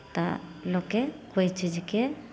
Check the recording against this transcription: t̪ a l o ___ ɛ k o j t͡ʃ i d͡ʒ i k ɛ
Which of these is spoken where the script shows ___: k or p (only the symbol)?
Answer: k